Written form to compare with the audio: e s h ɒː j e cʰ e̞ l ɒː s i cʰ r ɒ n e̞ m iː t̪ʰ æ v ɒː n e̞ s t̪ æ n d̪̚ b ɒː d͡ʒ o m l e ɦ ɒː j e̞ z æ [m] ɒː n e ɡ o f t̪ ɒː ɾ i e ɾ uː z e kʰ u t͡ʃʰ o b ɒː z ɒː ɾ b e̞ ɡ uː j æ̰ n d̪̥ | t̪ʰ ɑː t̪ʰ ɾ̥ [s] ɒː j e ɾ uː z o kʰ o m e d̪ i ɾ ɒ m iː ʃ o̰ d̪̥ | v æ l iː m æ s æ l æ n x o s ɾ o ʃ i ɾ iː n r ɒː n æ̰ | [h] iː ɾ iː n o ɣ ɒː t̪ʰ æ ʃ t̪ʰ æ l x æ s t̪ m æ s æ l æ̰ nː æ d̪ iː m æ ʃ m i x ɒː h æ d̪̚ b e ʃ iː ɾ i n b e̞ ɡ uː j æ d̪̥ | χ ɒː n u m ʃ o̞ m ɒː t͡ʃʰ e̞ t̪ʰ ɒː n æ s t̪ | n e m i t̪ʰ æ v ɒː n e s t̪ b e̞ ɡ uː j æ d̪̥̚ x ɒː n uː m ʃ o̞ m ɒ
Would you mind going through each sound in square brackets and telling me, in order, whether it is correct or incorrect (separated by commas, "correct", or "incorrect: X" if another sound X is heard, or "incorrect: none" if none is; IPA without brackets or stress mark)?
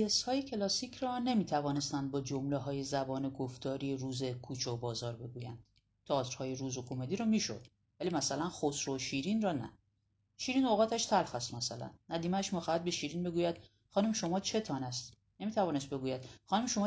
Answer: incorrect: b, incorrect: h, incorrect: ʃ